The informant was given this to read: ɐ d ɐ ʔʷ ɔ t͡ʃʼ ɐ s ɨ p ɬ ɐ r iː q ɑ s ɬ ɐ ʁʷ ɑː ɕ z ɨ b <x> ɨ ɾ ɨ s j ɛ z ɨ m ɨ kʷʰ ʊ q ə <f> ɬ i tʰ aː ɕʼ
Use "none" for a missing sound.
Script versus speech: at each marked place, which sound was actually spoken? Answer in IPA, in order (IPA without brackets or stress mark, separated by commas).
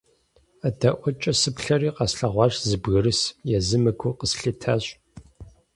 ɣ, s